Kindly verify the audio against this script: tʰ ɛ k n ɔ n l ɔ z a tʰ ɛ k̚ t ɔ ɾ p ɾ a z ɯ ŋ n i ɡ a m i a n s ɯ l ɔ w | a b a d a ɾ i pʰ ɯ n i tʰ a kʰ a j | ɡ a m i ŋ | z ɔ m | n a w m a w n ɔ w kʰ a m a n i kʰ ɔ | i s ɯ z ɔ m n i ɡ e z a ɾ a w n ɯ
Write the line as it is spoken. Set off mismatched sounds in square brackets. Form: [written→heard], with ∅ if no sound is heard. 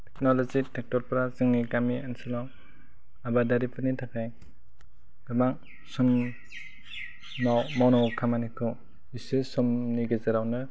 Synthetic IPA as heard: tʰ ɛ k n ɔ [n→∅] l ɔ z [a→i] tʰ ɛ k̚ t ɔ ɾ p ɾ a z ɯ ŋ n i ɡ a m i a n s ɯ l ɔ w | a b a d a ɾ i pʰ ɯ n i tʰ a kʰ a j | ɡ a m [i→a] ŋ | [z→s] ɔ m | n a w m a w n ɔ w kʰ a m a n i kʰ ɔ | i s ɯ [z→s] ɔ m n i ɡ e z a ɾ a w n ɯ